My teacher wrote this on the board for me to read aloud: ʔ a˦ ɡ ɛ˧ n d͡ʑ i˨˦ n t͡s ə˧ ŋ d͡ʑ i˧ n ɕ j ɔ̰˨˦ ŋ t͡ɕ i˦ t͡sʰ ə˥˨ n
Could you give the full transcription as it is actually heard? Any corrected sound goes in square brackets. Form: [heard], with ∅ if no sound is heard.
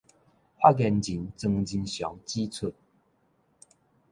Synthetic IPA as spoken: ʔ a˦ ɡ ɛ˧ n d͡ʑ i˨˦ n t͡s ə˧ ŋ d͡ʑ i˧ n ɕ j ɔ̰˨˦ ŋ t͡ɕ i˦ t͡sʰ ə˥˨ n